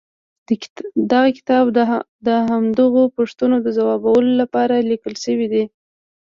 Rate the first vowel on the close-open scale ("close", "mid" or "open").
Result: open